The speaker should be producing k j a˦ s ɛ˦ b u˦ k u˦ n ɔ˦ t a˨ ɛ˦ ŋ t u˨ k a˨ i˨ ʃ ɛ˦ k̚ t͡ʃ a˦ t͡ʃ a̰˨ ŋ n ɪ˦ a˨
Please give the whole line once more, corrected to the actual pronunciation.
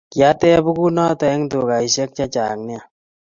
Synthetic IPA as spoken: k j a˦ t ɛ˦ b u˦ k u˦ n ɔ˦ t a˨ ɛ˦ ŋ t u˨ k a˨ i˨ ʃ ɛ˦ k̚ t͡ʃ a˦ t͡ʃ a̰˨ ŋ n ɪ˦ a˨